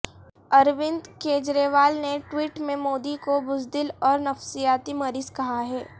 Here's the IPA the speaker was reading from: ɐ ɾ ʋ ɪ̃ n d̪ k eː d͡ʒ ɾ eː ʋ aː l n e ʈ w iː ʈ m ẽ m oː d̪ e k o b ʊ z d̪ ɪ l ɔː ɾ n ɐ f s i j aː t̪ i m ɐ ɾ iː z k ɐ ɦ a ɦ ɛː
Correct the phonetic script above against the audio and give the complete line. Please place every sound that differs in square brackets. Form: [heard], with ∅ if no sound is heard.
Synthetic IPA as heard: ɐ ɾ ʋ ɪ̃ n d̪ k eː d͡ʒ ɾ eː ʋ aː l n e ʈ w iː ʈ m ẽ m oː d̪ [i] k o b ʊ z d̪ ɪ l ɔː ɾ n ɐ f s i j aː t̪ i m ɐ ɾ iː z k ɐ ɦ a ɦ ɛː